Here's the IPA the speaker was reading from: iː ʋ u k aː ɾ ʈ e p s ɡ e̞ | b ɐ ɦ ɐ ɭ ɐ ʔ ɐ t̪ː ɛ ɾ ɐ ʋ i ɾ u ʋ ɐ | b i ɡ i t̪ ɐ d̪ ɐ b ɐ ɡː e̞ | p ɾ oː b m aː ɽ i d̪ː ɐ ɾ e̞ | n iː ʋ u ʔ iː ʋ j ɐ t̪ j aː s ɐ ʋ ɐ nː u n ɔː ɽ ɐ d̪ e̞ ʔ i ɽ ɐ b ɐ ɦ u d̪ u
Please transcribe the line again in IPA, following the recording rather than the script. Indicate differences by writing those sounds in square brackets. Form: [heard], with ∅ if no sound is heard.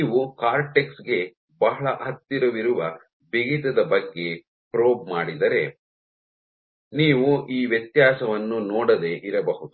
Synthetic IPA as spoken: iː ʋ u k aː ɾ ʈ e [k] s ɡ e̞ | b ɐ ɦ ɐ ɭ ɐ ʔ ɐ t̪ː [i] ɾ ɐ ʋ i ɾ u ʋ ɐ | b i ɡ i t̪ ɐ d̪ ɐ b ɐ ɡː e̞ | p ɾ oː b m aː ɽ i [d̪] ɐ ɾ e̞ | n iː ʋ u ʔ iː ʋ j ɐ t̪ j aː s ɐ ʋ ɐ nː u n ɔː ɽ ɐ d̪ e̞ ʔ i [ɾ] ɐ b ɐ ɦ u d̪ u